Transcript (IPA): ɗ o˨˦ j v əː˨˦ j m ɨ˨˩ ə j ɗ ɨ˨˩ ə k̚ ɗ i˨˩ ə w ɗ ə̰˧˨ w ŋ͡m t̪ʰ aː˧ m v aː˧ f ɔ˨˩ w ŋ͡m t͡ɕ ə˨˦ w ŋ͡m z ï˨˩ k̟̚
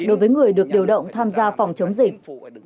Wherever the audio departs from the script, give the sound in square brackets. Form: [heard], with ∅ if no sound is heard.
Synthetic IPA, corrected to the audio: ɗ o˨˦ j v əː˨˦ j [ŋ] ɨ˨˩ ə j ɗ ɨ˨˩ ə k̚ ɗ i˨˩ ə w ɗ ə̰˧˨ w ŋ͡m t̪ʰ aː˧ m [z] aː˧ f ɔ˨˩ w ŋ͡m t͡ɕ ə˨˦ w ŋ͡m z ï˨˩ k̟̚

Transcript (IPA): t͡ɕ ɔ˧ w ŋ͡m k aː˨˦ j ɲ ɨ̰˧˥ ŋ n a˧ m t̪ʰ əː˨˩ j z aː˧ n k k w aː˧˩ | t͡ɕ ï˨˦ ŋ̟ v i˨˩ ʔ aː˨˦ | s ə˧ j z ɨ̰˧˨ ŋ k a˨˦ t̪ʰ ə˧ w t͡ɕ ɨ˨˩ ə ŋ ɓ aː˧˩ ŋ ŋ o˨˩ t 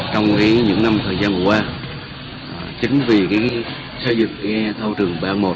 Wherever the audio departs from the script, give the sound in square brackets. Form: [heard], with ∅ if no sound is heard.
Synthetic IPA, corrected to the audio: t͡ɕ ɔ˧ w ŋ͡m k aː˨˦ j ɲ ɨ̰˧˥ ŋ n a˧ m t̪ʰ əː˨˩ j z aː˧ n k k w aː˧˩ | t͡ɕ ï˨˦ ŋ̟ v i˨˩ [k] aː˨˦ | s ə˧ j z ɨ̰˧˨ ŋ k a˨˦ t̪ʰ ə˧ w t͡ɕ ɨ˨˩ ə ŋ ɓ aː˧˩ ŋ [m] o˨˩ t

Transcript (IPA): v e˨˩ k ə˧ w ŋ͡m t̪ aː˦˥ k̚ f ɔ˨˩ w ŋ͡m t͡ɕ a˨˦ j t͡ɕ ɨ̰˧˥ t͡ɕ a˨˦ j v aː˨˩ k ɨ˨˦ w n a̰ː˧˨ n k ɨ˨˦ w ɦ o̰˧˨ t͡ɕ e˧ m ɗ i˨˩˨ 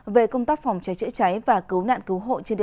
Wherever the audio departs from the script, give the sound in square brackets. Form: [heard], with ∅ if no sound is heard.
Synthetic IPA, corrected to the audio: v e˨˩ k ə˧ w ŋ͡m t̪ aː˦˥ k̚ f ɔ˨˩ w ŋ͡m t͡ɕ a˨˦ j t͡ɕ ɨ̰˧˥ t͡ɕ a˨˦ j v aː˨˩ k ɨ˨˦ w n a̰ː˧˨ n k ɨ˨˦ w ɦ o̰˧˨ t͡ɕ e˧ [n] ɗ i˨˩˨

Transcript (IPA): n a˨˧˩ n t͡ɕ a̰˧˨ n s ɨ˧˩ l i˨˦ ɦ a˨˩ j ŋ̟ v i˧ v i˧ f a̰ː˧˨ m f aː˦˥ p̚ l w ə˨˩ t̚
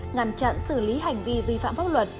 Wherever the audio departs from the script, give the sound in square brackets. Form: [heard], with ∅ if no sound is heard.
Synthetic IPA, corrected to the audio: [ŋ] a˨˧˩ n t͡ɕ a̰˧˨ n s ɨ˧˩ l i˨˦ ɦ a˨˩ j ŋ̟ v i˧ v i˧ f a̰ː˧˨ m f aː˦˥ p̚ l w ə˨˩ t̚

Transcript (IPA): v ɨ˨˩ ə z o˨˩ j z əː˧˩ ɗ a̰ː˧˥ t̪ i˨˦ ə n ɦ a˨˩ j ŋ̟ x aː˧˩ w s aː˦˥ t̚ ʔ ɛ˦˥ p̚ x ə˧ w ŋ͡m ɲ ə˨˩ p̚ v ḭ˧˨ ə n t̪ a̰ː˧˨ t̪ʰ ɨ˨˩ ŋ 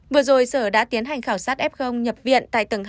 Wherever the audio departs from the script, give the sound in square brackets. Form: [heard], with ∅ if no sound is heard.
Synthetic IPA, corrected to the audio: v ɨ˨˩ ə z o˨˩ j [s] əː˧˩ ɗ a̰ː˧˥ t̪ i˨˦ ə n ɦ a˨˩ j ŋ̟ x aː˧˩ w s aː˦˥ t̚ ʔ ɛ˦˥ p̚ x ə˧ w ŋ͡m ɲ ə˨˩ p̚ v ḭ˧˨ ə n t̪ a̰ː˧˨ [t̪] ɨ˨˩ ŋ

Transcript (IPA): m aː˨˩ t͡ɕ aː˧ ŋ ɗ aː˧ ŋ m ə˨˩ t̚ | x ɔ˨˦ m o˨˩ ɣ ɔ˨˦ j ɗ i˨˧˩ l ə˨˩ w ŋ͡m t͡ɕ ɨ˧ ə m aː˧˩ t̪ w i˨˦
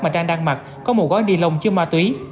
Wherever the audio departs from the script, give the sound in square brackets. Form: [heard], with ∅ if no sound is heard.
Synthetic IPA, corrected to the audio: m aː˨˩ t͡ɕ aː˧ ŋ ɗ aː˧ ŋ m [a˨˩] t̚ | [k] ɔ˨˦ m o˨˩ ɣ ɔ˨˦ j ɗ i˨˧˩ l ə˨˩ w ŋ͡m t͡ɕ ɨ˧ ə m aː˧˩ t̪ w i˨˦

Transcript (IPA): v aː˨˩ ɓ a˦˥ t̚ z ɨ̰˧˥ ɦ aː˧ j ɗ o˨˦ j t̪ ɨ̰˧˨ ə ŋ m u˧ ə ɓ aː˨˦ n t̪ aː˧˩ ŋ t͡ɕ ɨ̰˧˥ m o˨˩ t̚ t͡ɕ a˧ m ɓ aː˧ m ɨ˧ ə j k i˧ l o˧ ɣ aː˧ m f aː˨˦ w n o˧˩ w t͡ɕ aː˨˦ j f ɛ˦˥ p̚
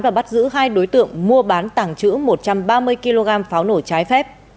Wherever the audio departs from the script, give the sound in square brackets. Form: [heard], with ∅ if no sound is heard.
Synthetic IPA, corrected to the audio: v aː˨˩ ɓ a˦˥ t̚ z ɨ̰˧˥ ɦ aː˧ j ɗ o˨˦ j t̪ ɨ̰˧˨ ə ŋ m u˧ ə ɓ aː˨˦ n t̪ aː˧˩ ŋ t͡ɕ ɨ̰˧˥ m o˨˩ t̚ t͡ɕ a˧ m ɓ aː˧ m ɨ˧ ə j k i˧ l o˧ ɣ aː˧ m f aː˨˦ w n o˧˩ [∅] t͡ɕ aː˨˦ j f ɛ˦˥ p̚

